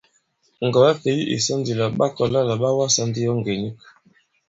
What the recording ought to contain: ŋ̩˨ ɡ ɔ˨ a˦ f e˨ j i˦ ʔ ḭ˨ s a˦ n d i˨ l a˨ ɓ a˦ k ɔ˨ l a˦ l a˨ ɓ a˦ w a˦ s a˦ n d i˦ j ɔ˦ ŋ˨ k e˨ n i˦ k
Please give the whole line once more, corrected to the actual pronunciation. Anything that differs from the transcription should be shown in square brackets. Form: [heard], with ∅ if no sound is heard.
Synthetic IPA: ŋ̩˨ ɡ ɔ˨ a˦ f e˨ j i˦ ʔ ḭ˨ s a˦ n d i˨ l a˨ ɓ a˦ k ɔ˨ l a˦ l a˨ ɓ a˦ w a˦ s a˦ n d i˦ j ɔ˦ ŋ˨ [ɡ] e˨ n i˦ k